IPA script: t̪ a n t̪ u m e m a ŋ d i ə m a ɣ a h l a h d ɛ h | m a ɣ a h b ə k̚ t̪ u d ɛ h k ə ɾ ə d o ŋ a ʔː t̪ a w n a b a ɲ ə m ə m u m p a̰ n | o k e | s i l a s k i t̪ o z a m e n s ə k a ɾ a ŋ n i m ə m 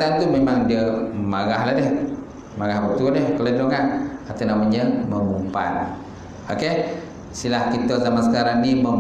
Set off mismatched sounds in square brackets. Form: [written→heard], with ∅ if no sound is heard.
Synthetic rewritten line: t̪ a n t̪ u m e m a ŋ d i ə m a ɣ a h l a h d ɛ h | m a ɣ a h b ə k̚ t̪ u d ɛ h k ə [ɾ→l] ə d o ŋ a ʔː t̪ a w n a [b→m] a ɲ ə m ə m u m p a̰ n | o k e | s i l a [s→h] k i t̪ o z a m [e→a] n s ə k a ɾ a ŋ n i m ə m